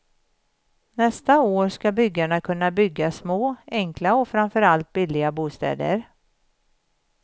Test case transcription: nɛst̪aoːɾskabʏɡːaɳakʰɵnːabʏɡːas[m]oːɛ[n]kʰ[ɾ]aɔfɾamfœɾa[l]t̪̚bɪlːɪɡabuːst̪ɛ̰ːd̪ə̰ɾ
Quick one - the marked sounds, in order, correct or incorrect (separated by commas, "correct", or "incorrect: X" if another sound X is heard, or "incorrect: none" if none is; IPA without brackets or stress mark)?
correct, incorrect: ŋ, incorrect: l, correct